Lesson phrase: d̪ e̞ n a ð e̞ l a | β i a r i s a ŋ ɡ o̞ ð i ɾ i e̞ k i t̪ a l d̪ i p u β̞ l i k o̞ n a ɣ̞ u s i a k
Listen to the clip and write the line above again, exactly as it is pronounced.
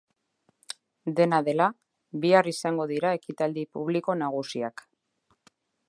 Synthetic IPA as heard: d̪ e̞ n a ð e̞ l a | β i a r i s a ŋ ɡ o̞ ð i ɾ a e̞ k i t̪ a l d̪ i p u β̞ l i k o̞ n a ɣ̞ u s i a k

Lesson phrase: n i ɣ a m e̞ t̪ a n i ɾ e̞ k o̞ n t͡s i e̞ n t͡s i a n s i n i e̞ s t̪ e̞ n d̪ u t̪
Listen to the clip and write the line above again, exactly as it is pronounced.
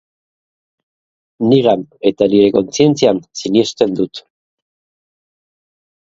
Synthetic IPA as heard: n i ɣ a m e̞ t̪ a n i ɾ e̞ k o̞ n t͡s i e̞ n t͡s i a n s i n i e̞ s t̪ e̞ n d̪ u t̪

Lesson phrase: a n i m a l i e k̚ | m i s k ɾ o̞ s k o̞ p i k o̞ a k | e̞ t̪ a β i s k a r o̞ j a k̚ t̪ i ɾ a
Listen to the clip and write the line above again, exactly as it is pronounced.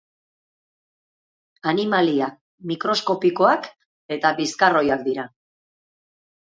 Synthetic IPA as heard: a n i m a l i a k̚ | m i k ɾ o̞ s k o̞ p i k o̞ a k | e̞ t̪ a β i s k a r o̞ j a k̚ d̪ i ɾ a

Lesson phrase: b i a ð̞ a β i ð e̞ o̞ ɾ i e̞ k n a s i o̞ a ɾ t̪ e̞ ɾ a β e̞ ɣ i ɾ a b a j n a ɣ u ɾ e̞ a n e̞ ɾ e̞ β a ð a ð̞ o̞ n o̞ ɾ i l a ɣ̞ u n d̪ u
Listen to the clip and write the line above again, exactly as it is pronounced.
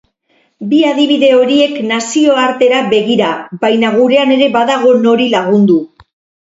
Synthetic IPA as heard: b i a ð̞ i β i ð e̞ o̞ ɾ i e̞ k n a s i o̞ a ɾ t̪ e̞ ɾ a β e̞ ɣ i ɾ a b a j n a ɣ u ɾ e̞ a n e̞ ɾ e̞ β a ð a ɣ̞ o̞ n o̞ ɾ i l a ɣ̞ u n d̪ u

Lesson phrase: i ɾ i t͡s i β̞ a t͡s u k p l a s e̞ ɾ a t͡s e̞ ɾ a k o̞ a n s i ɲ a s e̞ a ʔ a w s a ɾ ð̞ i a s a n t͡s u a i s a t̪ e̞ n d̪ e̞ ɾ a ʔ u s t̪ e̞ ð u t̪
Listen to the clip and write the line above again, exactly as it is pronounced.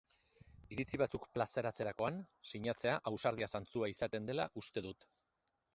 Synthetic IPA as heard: i ɾ i t͡s i β̞ a t͡s u k p l a s e̞ ɾ a t͡s e̞ ɾ a k o̞ a n s i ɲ a t͡s e̞ a ʔ a w s a ɾ ð̞ i a s a n t͡s u a i s a t̪ e̞ n d̪ e̞ l a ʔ u s t̪ e̞ ð u t̪

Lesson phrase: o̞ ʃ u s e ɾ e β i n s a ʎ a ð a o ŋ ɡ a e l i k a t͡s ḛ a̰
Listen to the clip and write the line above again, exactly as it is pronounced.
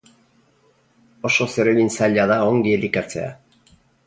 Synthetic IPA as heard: o̞ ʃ o s e ɾ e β i n s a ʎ a ð a o ŋ ɡ i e l i k a t͡s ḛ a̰

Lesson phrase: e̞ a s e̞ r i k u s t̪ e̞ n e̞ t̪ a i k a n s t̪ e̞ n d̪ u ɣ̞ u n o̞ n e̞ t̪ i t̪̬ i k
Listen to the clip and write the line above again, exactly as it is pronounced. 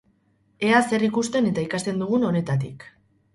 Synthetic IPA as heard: e̞ a s e̞ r i k u s t̪ e̞ n e̞ t̪ a i k a s t̪ e̞ n d̪ u ɣ̞ u n o̞ n e̞ t̪ a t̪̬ i k

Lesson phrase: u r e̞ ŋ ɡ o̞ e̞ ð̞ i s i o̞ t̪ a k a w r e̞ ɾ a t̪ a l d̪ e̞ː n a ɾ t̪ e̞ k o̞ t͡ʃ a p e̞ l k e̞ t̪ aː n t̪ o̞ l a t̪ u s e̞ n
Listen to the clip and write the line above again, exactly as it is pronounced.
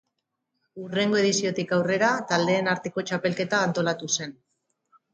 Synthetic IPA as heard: u r e̞ ŋ ɡ o̞ e̞ ð̞ i s i o̞ t̪ i k a w r e̞ ɾ a t̪ a l d̪ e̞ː n a ɾ t̪ e̞ k o̞ t͡ʃ a p e̞ l k e̞ t̪ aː n t̪ o̞ l a t̪ u s e̞ n

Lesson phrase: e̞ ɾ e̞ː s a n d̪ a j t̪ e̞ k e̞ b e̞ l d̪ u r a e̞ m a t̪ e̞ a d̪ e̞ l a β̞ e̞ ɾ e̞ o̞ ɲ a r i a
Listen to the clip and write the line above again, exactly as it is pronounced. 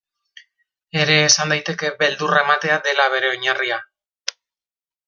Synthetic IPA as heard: e̞ ɾ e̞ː s a n d̪ a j t̪ e̞ k e̞ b e̞ l d̪ u r a e̞ m a t̪ e̞ a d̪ e̞ l a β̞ e̞ ɾ e̞ o̞ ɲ a r i a

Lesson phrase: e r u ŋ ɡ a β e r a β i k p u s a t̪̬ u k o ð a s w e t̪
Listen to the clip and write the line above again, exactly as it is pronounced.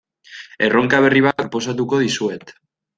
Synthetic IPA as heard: e r o ŋ k a β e r i β a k p o s a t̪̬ u k o ð i s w e t̪

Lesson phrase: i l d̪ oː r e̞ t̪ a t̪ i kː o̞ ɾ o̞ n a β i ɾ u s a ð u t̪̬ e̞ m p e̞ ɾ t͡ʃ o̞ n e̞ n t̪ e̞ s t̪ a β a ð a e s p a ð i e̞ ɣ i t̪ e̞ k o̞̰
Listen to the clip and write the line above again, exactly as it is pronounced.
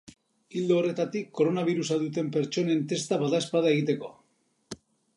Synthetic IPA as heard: i l d̪ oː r e̞ t̪ a t̪ i kː o̞ ɾ o̞ n a β i ɾ u s a ð u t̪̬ e̞ m p e̞ ɾ t͡ʃ o̞ n e̞ n t̪ e̞ s t̪ a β a ð a e s p a ð a e̞ ɣ i t̪ e̞ k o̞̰

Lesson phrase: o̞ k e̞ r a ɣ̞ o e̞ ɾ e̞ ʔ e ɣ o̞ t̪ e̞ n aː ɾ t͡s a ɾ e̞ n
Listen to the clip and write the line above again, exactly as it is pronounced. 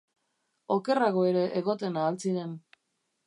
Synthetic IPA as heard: o̞ k e̞ r a ɣ̞ o e̞ ɾ e̞ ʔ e ɣ o̞ t̪ e̞ n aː l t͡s i ɾ e̞ n

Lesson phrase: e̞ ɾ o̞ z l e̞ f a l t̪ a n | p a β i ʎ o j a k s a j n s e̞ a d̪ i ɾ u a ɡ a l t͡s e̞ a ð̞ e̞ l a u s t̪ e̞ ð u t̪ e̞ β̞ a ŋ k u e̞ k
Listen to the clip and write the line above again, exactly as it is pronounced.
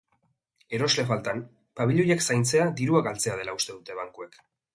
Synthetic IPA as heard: e̞ ɾ o̞ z l e̞ f a l t̪ a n | p a β i ʎ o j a k s a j n t͡s e̞ a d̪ i ɾ u a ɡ a l t͡s e̞ a ð̞ e̞ l a u s t̪ e̞ ð u t̪ e̞ β̞ a ŋ k u e̞ k

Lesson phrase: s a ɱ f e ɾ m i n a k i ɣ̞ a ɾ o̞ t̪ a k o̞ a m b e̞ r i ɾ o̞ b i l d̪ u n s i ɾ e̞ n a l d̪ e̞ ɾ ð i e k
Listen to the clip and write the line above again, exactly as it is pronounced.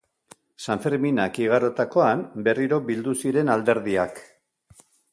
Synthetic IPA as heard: s a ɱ f e ɾ m i n a k i ɣ̞ a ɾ o̞ t̪ a k o̞ a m b e̞ r i ɾ o̞ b i l d̪ u s i ɾ e̞ n a l d̪ e̞ ɾ ð i a k

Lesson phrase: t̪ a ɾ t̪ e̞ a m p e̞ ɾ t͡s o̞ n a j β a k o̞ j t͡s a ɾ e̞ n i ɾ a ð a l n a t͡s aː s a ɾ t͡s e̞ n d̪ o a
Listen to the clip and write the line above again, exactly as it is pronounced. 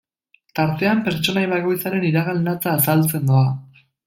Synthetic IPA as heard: t̪ a ɾ t̪ e̞ a m p e̞ ɾ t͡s o̞ n a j β a k o̞ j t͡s a ɾ e̞ n i ɾ a ɣ a l n a t͡s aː s a l t͡s e̞ n d̪ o a

